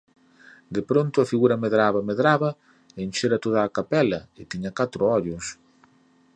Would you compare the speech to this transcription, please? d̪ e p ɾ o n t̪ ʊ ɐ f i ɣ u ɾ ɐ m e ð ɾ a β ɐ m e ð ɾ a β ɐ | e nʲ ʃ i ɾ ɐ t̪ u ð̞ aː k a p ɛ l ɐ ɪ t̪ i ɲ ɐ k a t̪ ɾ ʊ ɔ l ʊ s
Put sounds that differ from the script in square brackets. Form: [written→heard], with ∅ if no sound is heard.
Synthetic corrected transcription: d̪ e p ɾ o n t̪ ʊ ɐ f i ɣ u ɾ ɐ m e ð ɾ a β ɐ m e ð ɾ a β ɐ | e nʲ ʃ [i→e] ɾ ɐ t̪ [u→o] ð̞ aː k a p ɛ l ɐ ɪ t̪ i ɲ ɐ k a t̪ ɾ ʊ ɔ [l→ʎ] ʊ s